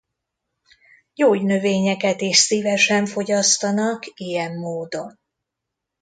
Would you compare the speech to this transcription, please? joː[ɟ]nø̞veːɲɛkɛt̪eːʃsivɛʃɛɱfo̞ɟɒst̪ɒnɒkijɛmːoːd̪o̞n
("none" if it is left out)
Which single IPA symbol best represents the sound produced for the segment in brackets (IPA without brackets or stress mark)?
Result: ɟ